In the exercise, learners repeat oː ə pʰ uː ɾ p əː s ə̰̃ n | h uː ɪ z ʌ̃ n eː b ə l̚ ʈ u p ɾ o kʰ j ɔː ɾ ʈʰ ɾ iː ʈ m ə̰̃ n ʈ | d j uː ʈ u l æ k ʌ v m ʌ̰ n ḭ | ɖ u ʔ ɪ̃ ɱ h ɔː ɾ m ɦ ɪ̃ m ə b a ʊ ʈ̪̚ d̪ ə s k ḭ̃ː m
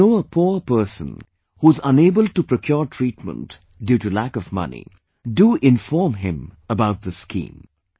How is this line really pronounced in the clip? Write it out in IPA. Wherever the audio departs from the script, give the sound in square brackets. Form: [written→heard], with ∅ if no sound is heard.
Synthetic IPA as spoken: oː ə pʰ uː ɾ p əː s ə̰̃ n | h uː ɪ z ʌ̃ n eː b ə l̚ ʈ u p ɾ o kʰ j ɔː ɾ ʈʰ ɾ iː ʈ m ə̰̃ n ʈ | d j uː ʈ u l æ k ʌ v m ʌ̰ n ḭ | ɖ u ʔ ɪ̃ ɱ [h→f] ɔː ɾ m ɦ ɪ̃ m ə b a ʊ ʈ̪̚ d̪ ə s k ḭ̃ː m